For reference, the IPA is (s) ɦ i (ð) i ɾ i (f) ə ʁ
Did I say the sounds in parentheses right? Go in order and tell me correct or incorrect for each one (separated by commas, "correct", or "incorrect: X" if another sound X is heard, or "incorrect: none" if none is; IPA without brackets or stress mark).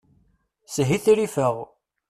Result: correct, incorrect: θ, correct